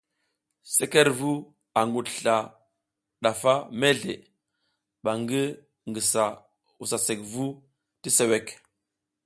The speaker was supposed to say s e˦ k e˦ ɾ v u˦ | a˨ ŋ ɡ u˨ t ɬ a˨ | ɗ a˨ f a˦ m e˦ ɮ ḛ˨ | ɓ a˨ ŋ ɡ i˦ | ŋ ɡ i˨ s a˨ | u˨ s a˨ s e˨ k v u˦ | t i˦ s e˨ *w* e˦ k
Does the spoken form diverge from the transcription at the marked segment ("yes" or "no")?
no